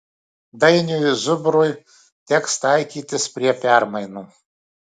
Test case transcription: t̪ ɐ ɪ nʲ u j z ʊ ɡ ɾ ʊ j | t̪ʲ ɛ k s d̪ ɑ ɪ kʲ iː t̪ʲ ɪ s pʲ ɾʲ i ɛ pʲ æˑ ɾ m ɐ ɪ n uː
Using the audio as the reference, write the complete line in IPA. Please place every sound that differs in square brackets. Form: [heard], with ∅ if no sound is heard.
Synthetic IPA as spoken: [d̪] ɐ ɪ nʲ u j z ʊ [b] ɾ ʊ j | t̪ʲ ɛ k s [t̪] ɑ ɪ kʲ iː t̪ʲ ɪ s pʲ ɾʲ i ɛ pʲ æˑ ɾ m ɐ ɪ n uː